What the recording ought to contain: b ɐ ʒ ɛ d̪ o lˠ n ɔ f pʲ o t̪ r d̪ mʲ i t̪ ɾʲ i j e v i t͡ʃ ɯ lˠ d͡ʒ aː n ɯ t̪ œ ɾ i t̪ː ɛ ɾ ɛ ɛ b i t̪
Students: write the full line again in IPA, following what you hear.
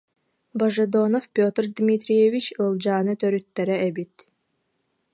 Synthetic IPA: b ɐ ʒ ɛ d̪ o n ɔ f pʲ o t̪ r d̪ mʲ i t̪ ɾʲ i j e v i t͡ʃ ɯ lˠ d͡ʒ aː n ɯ t̪ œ ɾ y t̪ː ɛ ɾ ɛ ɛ b i t̪